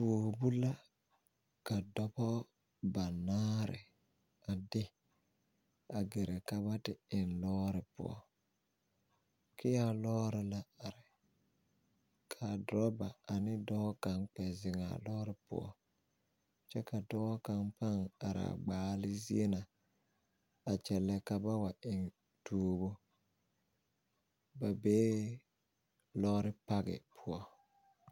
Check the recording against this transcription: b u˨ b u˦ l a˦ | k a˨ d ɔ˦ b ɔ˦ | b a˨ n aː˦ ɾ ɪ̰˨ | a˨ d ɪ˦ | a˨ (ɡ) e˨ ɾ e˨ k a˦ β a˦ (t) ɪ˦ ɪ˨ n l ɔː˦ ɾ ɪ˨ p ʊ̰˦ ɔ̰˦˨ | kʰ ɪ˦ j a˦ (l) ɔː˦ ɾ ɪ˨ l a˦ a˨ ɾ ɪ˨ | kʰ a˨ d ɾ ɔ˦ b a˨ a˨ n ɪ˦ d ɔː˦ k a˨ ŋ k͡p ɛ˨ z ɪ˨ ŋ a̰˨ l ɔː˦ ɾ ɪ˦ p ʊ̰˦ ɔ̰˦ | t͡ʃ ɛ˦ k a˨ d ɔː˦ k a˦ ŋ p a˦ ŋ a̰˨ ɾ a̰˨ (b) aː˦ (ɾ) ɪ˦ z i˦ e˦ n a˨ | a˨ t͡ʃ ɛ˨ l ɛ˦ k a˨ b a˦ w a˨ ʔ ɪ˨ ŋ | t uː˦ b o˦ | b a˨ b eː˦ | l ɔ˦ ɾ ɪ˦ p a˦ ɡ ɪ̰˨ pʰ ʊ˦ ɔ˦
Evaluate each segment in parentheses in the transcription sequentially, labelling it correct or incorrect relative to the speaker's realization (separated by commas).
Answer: correct, correct, correct, incorrect, incorrect